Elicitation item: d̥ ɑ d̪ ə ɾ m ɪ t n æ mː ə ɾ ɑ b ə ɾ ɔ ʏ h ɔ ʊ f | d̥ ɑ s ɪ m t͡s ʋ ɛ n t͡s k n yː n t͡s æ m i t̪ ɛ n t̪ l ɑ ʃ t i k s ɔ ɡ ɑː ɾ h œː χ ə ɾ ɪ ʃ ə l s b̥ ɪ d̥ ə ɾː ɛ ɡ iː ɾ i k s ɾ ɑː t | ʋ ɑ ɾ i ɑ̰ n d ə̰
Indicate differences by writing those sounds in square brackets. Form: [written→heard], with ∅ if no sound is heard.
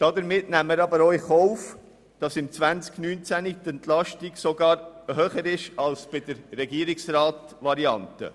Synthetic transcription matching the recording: d̥ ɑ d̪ ə ɾ m ɪ t n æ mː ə ɾ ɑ b ə ɾ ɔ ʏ [h→χ] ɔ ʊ f | d̥ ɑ s ɪ m t͡s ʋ [ɛ→æ] n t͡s k n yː n t͡s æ [m→n] i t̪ ɛ n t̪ l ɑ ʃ t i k s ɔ ɡ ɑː ɾ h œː χ ə ɾ ɪ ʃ [ə→ɑ] l s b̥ ɪ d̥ ə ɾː ɛ ɡ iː ɾ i k s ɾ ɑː t | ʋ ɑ ɾ i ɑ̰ n [d→t] ə̰